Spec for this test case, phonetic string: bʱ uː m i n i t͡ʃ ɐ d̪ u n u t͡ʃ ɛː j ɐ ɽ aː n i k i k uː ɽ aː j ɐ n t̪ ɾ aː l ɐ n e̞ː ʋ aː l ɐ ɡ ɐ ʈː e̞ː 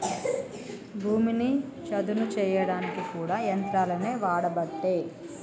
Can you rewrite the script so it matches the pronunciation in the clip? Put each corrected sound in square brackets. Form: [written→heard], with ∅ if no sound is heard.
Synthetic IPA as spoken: bʱ uː m i n i t͡ʃ ɐ d̪ u n u t͡ʃ ɛː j ɐ ɽ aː n i k i k uː ɽ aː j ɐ n t̪ ɾ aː l ɐ n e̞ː ʋ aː [l→ɽ] ɐ [ɡ→b] ɐ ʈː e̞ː